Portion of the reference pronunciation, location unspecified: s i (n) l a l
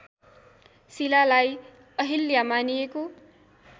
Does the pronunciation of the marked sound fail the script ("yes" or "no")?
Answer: yes